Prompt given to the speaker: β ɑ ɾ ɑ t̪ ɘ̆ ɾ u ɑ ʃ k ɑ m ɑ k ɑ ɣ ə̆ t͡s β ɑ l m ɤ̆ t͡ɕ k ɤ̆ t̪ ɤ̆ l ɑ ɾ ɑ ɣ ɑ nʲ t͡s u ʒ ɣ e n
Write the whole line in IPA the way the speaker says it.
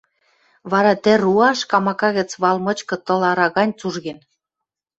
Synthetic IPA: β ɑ ɾ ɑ t̪ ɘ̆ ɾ u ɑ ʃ k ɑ m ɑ k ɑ ɣ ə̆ t͡s β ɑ l m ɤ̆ t͡ɕ k ɤ̆ t̪ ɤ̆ l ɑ ɾ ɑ ɣ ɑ nʲ t͡s u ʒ ɣ e n